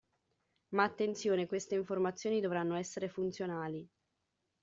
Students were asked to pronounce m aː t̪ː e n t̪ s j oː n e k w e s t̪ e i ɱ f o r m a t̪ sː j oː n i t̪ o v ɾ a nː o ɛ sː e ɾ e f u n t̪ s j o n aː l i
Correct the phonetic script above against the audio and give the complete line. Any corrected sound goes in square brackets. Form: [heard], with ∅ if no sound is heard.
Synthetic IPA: m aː t̪ː e n t̪ s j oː n e k w e s t̪ e i ɱ f o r m a t̪ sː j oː n i [d̪] o v ɾ a nː o ɛ sː e ɾ e f u n t̪ s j o n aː l i